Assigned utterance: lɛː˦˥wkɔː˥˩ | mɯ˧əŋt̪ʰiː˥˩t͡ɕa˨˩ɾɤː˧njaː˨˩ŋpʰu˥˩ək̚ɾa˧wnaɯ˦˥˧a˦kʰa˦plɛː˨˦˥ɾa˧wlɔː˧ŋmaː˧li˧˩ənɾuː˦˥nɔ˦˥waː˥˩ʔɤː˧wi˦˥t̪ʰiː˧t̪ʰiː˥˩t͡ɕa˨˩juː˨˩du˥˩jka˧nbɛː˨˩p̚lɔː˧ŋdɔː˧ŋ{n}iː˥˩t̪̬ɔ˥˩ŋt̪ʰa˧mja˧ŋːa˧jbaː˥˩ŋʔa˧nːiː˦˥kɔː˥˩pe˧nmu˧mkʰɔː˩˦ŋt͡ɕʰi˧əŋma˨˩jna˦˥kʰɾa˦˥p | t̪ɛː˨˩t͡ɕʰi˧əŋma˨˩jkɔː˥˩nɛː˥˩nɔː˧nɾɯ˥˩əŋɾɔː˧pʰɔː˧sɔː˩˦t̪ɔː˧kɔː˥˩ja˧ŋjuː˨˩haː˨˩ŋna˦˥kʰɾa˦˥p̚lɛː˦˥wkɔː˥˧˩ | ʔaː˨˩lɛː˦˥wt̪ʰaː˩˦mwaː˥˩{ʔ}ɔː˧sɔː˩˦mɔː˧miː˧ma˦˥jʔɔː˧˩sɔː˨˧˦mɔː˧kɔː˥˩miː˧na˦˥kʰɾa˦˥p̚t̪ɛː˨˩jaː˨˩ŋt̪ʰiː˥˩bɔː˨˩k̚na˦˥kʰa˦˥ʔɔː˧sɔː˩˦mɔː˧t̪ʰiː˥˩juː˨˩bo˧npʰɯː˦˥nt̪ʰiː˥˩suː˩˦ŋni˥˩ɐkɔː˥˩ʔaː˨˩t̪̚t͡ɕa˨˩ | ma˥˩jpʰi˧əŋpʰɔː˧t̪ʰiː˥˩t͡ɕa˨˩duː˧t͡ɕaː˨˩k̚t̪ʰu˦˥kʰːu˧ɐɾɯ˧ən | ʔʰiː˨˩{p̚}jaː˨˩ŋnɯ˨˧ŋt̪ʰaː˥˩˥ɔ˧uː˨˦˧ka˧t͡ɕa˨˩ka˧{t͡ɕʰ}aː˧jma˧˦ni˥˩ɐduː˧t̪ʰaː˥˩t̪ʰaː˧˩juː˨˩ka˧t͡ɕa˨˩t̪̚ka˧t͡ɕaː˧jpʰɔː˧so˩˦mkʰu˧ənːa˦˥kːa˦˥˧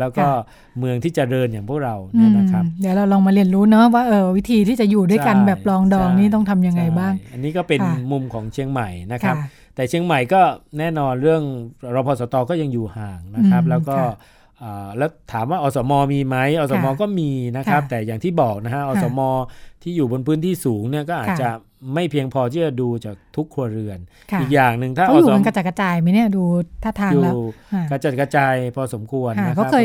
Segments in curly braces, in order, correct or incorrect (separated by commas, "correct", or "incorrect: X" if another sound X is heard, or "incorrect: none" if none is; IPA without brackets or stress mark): correct, correct, incorrect: k̚, incorrect: t͡ɕ